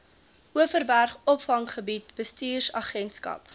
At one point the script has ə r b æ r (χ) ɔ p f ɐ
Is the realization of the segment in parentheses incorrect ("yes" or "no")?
no